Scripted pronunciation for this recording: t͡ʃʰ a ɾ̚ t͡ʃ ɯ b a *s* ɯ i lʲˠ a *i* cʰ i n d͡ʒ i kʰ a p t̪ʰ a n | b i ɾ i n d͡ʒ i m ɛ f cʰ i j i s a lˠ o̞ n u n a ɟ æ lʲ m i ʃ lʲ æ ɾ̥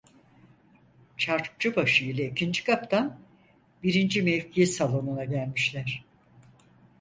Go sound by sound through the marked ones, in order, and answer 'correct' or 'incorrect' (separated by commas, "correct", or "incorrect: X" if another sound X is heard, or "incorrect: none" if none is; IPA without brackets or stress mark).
incorrect: ʃ, correct